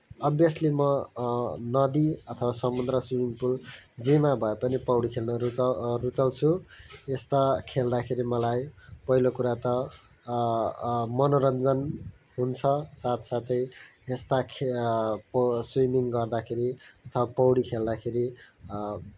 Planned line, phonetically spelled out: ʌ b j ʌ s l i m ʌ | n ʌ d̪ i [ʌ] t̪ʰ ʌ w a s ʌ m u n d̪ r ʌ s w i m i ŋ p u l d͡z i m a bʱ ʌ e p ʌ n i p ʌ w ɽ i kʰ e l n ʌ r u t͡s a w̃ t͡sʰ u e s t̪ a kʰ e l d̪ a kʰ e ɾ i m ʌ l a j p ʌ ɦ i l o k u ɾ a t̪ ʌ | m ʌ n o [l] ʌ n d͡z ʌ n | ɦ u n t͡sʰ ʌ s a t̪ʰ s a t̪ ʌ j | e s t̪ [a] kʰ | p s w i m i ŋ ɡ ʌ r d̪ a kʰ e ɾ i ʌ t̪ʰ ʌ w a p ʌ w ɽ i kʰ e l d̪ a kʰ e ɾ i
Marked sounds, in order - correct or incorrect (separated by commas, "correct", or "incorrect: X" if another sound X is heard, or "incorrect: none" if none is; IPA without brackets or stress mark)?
correct, incorrect: ɾ, correct